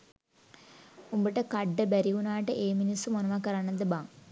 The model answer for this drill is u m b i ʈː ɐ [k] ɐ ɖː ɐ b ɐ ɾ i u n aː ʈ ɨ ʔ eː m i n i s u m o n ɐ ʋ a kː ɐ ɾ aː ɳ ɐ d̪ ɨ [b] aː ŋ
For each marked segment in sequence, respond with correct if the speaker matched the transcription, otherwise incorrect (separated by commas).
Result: correct, correct